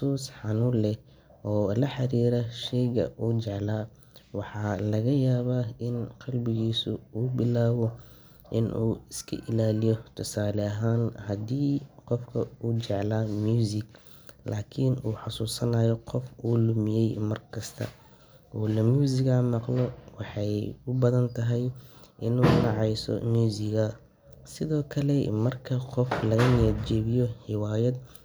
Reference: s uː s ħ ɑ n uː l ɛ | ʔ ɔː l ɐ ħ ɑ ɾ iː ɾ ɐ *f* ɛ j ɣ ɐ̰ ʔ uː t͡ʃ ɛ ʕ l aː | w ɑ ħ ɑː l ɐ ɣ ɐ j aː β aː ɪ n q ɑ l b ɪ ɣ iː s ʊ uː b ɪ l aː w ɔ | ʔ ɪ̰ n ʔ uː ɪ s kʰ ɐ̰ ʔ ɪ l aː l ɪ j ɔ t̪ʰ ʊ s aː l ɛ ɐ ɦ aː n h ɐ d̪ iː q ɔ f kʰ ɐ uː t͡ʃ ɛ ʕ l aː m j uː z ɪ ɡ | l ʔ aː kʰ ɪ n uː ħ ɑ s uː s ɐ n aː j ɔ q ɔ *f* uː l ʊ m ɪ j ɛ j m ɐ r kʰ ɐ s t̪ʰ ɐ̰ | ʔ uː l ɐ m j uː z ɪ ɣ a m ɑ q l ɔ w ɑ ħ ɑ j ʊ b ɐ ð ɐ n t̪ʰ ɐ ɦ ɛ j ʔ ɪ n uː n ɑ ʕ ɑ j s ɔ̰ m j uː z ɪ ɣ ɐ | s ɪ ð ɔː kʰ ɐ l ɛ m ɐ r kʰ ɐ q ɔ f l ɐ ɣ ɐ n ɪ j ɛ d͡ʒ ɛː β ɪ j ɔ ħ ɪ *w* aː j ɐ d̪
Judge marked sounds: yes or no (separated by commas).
no, yes, yes